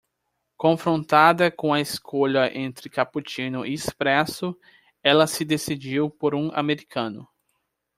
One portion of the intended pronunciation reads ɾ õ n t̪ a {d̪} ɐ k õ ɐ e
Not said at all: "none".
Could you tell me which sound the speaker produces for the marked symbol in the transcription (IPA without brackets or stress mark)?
d̪